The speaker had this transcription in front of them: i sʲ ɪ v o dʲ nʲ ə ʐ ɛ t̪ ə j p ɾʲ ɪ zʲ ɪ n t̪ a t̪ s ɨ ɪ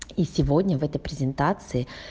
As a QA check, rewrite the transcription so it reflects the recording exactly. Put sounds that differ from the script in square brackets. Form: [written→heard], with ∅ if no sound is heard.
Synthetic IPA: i sʲ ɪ v o dʲ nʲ ə [ʐ→v] ɛ t̪ ə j p ɾʲ ɪ zʲ ɪ n t̪ a t̪ s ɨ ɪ